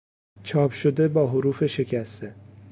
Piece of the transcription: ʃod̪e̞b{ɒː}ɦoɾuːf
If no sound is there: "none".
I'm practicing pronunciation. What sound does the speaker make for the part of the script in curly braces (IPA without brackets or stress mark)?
ɒː